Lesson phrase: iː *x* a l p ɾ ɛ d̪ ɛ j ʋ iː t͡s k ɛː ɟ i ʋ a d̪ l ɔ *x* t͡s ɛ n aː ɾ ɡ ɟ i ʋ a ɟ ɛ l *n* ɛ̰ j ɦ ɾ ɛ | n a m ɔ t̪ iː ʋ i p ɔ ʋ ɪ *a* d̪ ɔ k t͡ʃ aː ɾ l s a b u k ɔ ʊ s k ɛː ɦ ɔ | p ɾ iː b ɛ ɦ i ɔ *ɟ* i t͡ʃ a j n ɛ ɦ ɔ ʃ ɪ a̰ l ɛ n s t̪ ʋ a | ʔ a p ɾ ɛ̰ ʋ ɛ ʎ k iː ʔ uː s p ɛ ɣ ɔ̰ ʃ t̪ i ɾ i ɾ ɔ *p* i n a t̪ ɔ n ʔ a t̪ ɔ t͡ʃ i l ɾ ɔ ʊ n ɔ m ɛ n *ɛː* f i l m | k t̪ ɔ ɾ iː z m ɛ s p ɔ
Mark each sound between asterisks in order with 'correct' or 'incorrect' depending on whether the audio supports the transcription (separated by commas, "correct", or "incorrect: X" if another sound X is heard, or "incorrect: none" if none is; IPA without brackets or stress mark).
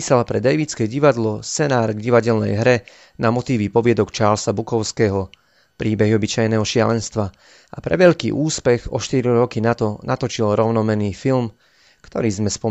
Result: incorrect: s, incorrect: s, correct, incorrect: ɛ, incorrect: b, incorrect: k, incorrect: iː